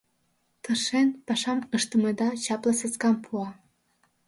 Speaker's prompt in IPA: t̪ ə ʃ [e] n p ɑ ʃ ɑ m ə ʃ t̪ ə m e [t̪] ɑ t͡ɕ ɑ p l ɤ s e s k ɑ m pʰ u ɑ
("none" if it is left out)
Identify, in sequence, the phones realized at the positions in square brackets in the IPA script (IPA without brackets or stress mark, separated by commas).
e, d̪